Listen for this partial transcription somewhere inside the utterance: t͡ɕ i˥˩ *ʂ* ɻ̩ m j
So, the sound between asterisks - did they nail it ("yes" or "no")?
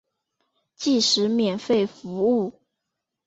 yes